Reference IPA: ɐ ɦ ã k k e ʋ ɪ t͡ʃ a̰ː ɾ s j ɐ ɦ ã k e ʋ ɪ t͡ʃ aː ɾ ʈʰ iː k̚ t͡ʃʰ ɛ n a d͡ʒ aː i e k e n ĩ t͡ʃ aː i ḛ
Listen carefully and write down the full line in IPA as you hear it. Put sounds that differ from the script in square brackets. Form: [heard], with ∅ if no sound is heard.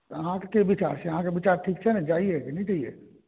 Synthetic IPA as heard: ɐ ɦ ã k k e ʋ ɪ t͡ʃ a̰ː ɾ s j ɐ ɦ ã k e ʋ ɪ t͡ʃ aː ɾ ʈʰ iː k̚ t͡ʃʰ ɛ n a d͡ʒ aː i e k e n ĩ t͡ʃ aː i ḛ